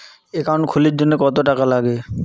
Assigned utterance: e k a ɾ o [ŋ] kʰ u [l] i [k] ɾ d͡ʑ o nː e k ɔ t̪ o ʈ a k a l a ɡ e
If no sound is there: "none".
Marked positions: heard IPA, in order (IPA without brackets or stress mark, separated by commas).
n, l, none